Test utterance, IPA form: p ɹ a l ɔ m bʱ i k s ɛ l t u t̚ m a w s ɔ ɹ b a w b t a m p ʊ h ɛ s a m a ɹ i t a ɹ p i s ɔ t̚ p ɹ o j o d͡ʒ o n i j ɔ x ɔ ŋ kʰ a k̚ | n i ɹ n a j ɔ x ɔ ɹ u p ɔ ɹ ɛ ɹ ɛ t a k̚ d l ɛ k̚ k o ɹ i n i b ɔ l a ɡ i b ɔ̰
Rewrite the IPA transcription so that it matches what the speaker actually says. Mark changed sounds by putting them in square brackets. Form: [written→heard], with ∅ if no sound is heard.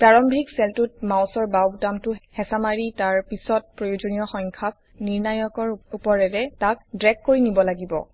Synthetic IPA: p ɹ a [l→ɹ] ɔ m bʱ i k s ɛ l t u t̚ m a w s ɔ ɹ b a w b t a m [p→t] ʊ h ɛ s a m a ɹ i t a ɹ p i s ɔ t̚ p ɹ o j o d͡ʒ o n i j ɔ x ɔ ŋ kʰ a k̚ | n i ɹ n a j ɔ [x→k] ɔ ɹ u p ɔ ɹ ɛ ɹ ɛ t a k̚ d [l→ɹ] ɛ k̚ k o ɹ i n i b ɔ l a ɡ i b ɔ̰